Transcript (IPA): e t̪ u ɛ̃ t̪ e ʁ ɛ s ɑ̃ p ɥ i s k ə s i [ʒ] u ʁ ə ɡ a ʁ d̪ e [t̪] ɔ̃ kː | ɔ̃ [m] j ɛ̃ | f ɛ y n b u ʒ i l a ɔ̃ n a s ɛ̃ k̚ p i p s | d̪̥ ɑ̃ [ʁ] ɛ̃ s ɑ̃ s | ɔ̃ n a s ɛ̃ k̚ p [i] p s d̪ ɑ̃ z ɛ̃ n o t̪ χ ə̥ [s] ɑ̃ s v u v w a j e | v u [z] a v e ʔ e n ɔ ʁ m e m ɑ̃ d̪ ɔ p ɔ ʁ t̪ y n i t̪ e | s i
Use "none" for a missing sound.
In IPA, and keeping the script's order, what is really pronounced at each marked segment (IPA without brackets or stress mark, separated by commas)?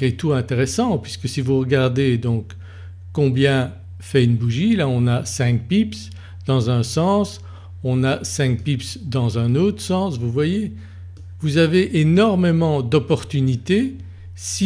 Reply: v, d̪, b, z, i, s, z